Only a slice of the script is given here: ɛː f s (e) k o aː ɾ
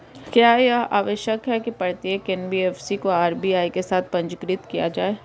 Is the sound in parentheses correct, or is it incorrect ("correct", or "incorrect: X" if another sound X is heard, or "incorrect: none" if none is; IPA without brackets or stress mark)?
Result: incorrect: i